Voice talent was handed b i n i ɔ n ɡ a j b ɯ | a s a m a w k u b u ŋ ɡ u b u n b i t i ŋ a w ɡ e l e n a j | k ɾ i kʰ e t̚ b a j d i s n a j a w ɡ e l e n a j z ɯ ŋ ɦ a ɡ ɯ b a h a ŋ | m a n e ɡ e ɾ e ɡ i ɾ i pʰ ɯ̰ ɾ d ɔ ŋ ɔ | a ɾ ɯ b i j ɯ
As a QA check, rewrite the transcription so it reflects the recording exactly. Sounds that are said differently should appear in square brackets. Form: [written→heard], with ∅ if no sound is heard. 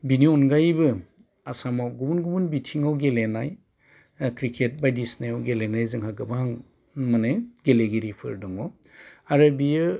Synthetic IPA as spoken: b i n i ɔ n ɡ a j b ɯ | a s a m a w [k→ɡ] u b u [ŋ→n] ɡ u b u n b i [t→tʰ] i ŋ a w ɡ e l e n a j | k ɾ i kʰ e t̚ b a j d i s n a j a w ɡ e l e n a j z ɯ ŋ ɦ a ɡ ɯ b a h a ŋ | m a n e ɡ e [ɾ→l] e ɡ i ɾ i pʰ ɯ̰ ɾ d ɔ ŋ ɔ | a ɾ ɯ b i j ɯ